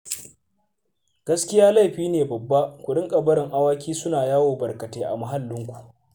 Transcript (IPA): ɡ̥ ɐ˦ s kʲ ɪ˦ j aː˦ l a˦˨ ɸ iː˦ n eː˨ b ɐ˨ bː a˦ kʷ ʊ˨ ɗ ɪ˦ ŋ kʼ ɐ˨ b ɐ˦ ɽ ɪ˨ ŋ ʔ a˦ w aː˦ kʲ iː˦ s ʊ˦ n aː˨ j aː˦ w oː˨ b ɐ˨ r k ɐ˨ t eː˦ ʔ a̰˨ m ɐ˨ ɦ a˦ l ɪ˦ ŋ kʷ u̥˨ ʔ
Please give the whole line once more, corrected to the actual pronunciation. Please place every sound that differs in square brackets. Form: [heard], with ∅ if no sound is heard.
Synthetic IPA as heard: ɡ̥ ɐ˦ s kʲ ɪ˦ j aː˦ l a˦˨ ɸ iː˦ n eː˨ b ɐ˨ bː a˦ kʷ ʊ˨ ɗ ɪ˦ ŋ kʼ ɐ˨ b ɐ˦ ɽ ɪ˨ ŋ ʔ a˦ w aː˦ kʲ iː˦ s ʊ˦ n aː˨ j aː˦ w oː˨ b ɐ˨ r k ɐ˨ t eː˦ ʔ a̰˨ m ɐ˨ ɦ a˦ [lː] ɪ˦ ŋ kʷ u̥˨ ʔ